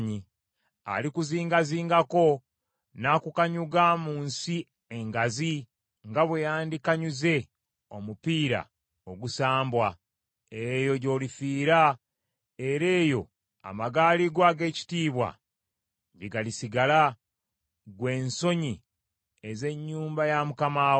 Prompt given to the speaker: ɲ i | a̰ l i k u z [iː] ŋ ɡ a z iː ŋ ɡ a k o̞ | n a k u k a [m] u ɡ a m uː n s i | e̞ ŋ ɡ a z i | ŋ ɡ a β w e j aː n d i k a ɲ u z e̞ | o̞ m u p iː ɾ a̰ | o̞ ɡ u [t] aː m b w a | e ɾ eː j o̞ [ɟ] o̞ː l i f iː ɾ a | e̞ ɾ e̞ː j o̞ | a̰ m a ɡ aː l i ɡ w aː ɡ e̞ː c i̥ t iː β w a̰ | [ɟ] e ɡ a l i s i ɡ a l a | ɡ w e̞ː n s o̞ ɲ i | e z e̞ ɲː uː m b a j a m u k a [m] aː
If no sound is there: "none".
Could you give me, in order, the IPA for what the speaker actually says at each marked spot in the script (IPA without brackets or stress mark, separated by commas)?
iː, ɲ, s, ɟ, ɟ, m